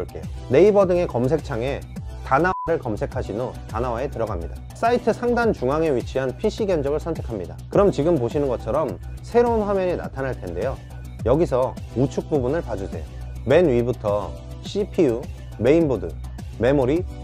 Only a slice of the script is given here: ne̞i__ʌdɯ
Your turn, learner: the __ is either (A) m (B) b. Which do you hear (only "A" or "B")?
B